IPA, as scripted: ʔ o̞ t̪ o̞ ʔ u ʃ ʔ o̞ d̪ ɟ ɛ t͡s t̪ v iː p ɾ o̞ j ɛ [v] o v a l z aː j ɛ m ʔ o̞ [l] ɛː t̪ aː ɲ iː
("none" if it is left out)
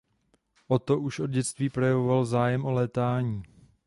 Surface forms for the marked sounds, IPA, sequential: v, l

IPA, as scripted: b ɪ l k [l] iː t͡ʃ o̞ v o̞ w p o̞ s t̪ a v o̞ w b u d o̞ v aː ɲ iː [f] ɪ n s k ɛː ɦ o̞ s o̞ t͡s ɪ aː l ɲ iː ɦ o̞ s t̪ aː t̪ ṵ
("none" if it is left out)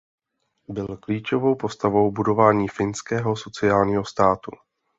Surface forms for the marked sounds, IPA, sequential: l, f

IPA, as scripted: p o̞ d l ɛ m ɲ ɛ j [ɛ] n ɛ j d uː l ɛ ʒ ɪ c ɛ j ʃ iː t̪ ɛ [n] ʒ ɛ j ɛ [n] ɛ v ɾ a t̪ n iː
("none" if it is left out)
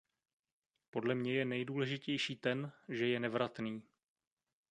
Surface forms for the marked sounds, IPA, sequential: ɛ, n, n

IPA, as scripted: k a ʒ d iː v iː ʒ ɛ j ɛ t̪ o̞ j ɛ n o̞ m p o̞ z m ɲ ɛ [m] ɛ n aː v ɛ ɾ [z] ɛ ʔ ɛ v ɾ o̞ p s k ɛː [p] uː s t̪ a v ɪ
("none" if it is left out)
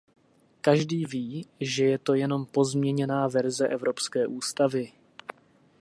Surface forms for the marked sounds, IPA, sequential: ɲ, z, ʔ

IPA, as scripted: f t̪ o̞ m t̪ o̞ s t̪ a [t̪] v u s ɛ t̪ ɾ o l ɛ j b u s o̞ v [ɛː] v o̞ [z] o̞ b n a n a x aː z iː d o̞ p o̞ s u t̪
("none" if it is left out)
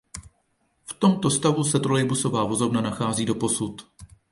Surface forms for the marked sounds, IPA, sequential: none, aː, z

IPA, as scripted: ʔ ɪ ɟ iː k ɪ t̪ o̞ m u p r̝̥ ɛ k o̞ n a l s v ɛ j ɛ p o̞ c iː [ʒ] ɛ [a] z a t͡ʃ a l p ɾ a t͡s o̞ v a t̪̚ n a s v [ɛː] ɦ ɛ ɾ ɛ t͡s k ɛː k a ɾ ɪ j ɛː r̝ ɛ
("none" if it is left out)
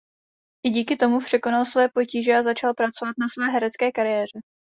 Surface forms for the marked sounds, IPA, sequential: ʒ, a, ɛː

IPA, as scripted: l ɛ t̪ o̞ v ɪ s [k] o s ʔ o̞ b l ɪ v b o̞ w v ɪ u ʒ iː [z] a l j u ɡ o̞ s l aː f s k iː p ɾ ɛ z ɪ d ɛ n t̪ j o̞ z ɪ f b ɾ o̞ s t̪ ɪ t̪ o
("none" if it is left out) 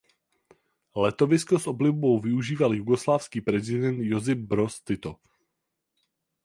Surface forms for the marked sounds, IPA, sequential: k, v

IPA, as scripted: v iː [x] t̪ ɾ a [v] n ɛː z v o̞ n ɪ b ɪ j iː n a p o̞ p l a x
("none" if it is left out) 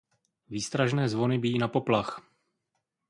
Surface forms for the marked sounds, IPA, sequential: s, ʒ

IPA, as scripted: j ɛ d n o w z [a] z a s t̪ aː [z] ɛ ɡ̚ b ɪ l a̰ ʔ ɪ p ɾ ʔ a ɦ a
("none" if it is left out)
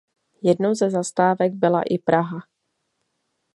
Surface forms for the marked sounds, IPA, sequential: ɛ, v

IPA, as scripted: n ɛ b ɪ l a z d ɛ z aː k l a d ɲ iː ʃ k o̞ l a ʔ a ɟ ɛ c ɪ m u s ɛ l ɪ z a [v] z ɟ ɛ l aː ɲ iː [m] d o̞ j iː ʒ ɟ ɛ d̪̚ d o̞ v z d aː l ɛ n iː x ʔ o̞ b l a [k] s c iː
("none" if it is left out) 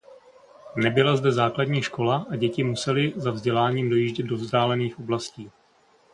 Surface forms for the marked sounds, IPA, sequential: v, m, none

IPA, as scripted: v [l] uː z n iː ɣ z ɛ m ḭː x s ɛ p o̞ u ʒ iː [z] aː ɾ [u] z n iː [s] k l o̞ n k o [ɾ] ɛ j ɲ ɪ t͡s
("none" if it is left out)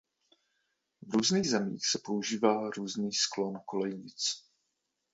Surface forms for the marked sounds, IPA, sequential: ɾ, v, uː, s, l

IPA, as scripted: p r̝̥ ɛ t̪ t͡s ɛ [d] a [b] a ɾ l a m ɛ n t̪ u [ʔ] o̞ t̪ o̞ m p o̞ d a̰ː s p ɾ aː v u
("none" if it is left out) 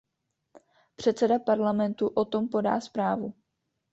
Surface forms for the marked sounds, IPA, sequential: d, p, ʔ

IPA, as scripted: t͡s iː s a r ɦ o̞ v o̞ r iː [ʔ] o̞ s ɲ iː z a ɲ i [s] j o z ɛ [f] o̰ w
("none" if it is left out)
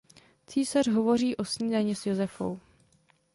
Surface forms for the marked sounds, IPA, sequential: ʔ, s, f

